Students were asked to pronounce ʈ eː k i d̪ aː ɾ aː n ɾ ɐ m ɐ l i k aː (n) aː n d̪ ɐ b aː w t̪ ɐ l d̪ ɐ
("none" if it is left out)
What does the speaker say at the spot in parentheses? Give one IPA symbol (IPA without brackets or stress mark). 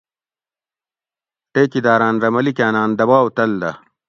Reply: n